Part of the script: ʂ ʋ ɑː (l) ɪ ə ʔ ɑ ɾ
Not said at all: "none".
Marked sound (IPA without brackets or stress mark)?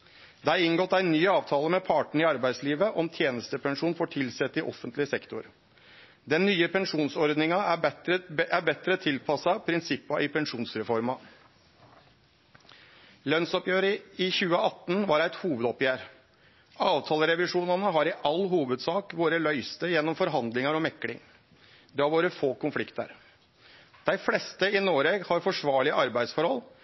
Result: ɭ